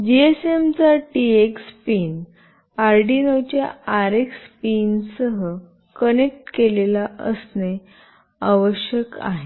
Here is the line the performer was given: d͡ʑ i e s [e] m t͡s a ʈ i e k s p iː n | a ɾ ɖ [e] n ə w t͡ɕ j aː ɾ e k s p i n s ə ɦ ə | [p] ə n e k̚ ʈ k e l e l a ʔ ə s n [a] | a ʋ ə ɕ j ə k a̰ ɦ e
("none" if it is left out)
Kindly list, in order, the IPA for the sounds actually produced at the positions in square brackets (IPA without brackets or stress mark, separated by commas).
e, i, k, e